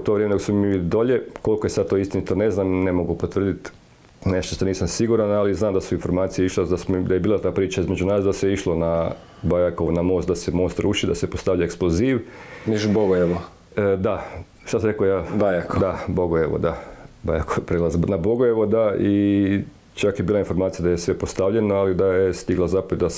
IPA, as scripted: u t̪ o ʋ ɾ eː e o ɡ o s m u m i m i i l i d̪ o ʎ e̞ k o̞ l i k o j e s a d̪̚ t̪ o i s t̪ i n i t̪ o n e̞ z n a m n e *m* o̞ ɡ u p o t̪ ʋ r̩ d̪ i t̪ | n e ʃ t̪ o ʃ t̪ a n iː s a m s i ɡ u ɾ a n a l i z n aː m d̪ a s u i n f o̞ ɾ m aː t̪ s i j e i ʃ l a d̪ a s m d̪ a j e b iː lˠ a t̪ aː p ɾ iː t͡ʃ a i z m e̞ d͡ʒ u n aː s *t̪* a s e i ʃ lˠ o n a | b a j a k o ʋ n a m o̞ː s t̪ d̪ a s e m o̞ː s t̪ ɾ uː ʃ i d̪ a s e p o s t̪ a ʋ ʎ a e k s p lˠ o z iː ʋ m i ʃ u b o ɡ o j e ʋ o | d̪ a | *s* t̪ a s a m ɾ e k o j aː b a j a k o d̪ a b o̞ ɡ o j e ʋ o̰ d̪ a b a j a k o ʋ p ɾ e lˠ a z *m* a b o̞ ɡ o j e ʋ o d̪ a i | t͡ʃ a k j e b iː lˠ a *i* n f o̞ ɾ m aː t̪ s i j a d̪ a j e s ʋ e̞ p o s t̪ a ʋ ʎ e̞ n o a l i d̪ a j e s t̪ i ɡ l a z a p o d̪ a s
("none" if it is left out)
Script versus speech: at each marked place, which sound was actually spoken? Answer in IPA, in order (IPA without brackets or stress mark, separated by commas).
m, d̪, ʃ, n, i